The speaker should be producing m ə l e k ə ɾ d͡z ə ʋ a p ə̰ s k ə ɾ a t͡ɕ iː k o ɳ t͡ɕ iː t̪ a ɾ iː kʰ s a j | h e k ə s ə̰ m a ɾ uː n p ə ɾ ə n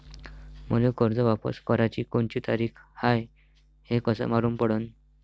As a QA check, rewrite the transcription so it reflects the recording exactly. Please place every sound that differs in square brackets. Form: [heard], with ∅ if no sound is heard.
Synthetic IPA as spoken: m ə l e k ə ɾ d͡z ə ʋ a p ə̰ s k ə ɾ a t͡ɕ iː k o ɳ t͡ɕ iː t̪ a ɾ iː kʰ [h] a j | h e k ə s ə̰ m a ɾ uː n p ə [ɽ] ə n